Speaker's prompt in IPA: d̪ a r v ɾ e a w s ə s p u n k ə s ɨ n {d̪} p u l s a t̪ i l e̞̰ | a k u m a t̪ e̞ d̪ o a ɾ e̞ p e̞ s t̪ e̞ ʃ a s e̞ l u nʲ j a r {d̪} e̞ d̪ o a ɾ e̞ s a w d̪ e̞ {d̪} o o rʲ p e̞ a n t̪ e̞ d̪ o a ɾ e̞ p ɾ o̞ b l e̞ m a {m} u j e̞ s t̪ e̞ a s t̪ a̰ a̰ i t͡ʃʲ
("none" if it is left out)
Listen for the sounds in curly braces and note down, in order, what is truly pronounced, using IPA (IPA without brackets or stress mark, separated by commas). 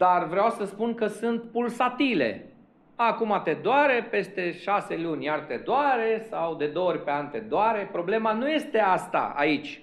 t̪, t̪, d̪, n